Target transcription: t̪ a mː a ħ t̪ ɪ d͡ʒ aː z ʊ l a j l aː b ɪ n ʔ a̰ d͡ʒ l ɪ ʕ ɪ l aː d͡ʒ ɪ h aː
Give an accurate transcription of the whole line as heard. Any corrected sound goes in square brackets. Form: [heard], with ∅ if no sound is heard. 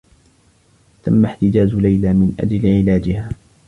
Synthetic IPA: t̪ a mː a ħ t̪ ɪ d͡ʒ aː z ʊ l a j l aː [m] ɪ n ʔ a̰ d͡ʒ l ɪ ʕ ɪ l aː d͡ʒ ɪ h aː